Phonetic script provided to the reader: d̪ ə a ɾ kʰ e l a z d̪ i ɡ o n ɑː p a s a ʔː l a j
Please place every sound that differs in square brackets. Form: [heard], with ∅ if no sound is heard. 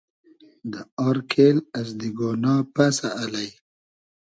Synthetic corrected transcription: d̪ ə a ɾ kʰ e l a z d̪ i ɡ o n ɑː p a s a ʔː l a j